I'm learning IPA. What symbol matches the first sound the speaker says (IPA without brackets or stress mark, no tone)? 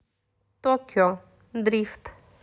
t̪